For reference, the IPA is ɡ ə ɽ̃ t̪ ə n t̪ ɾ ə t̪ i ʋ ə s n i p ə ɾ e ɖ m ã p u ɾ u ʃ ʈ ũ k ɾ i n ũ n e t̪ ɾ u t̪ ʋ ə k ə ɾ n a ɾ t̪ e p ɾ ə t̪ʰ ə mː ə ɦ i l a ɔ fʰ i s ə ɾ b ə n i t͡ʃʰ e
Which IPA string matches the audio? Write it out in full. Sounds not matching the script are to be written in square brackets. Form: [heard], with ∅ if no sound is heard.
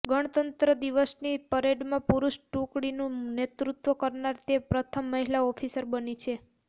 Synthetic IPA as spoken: ɡ ə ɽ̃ t̪ ə n t̪ ɾ ə [d̪] i ʋ ə s n i p ə ɾ e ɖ m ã p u ɾ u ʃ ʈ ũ k [ɽ] i n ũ n e t̪ ɾ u t̪ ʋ ə k ə ɾ n a ɾ t̪ e p ɾ ə t̪ʰ ə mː ə ɦ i l a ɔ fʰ i s ə ɾ b ə n i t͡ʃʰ e